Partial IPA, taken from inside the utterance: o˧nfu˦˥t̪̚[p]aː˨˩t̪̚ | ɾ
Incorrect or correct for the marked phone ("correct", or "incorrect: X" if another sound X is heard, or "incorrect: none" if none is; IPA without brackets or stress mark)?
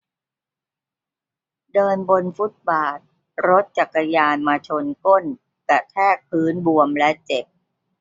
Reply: incorrect: b